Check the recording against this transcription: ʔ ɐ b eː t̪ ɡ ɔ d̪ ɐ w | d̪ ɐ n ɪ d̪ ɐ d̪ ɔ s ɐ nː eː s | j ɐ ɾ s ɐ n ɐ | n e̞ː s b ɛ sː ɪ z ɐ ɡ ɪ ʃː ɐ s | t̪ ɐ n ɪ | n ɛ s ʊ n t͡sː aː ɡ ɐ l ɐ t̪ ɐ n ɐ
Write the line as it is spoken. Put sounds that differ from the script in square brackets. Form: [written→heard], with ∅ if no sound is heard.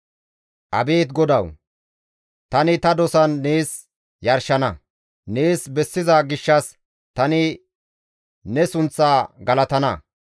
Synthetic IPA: ʔ ɐ b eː t̪ ɡ ɔ d̪ ɐ w | [d̪→t̪] ɐ n ɪ [d̪→t̪] ɐ d̪ ɔ s ɐ nː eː s | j ɐ ɾ [s→ʃ] ɐ n ɐ | n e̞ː s b ɛ sː ɪ z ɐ ɡ ɪ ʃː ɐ s | t̪ ɐ n ɪ | n ɛ s ʊ n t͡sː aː ɡ ɐ l ɐ t̪ ɐ n ɐ